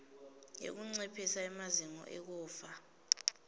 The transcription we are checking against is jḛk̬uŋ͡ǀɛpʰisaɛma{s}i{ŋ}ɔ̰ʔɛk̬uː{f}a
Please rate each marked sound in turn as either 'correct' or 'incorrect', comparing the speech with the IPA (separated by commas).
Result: incorrect, correct, correct